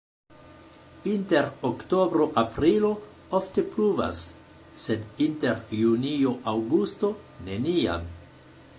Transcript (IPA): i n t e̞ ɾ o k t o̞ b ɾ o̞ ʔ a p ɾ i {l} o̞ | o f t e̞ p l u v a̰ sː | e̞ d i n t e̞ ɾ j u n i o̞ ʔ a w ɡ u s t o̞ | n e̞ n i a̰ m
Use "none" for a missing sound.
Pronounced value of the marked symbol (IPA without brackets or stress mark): l